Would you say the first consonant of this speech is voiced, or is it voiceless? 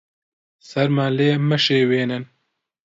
voiceless